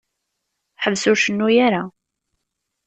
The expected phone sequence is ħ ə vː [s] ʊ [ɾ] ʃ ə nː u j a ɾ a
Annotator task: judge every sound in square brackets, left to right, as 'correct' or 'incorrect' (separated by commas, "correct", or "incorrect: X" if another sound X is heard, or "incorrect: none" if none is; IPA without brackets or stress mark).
correct, correct